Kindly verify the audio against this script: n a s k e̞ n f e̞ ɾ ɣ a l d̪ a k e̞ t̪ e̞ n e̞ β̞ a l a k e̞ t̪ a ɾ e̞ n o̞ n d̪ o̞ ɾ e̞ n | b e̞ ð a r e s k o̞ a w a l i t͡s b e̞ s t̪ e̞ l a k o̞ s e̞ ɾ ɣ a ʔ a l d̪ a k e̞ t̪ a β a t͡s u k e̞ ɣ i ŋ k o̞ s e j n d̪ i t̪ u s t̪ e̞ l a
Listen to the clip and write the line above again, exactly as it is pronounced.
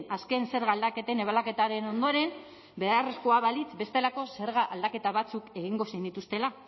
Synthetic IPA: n a s k e̞ n s e̞ ɾ ɣ a l d̪ a k e̞ t̪ e̞ n e̞ β̞ a l a k e̞ t̪ a ɾ e̞ n o̞ n d̪ o̞ ɾ e̞ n | b e̞ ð a r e s k o̞ a β a l i t͡s b e̞ s t̪ e̞ l a k o̞ s e̞ ɾ ɣ a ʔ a l d̪ a k e̞ t̪ a β a t͡s u k e̞ ɣ i ŋ ɡ o̞ s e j n d̪ i t̪ u s t̪ e̞ l a